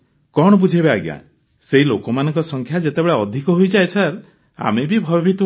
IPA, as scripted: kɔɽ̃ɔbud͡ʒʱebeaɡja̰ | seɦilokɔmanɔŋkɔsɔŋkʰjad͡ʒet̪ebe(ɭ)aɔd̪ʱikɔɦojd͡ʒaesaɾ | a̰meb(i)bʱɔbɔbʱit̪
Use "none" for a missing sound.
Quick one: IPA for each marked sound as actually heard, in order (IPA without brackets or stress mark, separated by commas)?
ɭ, i